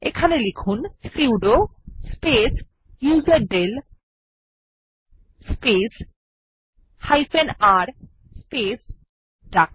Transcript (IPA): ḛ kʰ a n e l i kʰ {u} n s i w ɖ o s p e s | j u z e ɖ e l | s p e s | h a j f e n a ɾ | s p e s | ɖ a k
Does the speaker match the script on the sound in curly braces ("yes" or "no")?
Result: yes